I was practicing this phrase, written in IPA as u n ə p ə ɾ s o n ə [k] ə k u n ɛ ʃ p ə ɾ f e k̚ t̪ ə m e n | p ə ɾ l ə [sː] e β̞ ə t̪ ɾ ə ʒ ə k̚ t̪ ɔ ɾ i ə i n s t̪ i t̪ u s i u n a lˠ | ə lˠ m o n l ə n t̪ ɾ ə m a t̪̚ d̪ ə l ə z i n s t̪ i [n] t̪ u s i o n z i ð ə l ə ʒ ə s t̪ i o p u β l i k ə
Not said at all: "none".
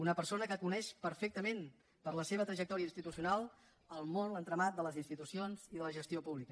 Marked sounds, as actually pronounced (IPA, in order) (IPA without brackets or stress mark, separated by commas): k, s, none